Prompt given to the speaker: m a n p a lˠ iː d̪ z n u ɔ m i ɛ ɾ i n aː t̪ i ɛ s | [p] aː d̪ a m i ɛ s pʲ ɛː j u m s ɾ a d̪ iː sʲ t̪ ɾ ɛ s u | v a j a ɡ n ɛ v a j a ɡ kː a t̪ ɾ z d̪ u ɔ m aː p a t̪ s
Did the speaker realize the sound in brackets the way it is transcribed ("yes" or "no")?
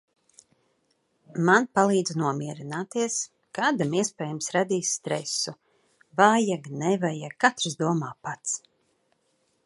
no